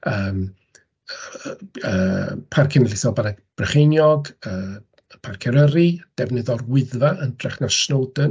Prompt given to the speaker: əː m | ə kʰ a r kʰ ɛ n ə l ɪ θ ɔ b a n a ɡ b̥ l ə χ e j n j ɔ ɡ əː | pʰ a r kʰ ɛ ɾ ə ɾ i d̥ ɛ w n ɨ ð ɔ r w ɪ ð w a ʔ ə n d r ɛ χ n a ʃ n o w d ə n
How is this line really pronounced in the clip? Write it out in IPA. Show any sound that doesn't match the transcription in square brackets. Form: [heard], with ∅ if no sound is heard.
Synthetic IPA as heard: əː m | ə [pʰ] a r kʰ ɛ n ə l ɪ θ ɔ b a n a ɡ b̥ [r] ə χ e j n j ɔ ɡ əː | pʰ a r kʰ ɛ ɾ ə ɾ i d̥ ɛ [v] n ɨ ð ɔ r w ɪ ð [v] a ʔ ə n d r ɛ χ n a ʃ n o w d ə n